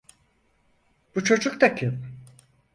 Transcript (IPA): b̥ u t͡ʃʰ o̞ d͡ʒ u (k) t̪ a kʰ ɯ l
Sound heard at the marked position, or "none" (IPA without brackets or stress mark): k